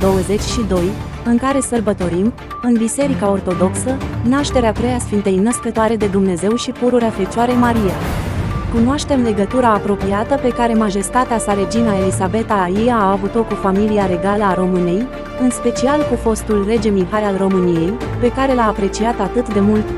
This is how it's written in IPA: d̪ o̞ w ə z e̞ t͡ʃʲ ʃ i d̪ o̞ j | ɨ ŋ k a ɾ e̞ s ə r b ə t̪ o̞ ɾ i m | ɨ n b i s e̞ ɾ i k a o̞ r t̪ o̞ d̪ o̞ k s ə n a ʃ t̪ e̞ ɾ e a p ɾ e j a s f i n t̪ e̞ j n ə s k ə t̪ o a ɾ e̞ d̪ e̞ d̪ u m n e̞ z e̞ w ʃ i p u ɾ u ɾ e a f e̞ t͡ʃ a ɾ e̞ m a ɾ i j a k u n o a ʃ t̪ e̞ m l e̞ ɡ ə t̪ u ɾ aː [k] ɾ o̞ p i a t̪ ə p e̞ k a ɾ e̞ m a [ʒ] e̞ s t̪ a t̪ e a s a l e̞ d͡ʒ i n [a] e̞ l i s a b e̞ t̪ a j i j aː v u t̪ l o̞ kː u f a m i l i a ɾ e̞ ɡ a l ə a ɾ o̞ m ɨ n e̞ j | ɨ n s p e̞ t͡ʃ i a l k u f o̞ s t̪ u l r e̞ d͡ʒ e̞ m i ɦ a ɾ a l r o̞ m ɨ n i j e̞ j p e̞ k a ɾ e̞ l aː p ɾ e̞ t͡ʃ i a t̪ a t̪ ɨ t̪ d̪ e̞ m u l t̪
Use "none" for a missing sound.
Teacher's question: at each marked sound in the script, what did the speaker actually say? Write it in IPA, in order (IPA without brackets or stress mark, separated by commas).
p, ʒ, a